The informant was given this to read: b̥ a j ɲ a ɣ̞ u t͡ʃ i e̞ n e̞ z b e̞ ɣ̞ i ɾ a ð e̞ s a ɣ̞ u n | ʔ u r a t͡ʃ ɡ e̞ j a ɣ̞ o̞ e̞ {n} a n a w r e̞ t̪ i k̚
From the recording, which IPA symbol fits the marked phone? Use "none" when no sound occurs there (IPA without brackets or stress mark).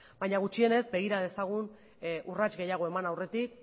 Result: m